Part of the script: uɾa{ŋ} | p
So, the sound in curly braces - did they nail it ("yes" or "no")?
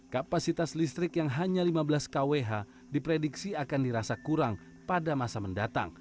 yes